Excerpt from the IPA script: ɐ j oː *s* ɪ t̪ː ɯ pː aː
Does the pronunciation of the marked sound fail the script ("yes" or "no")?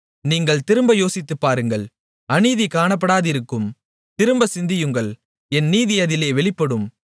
no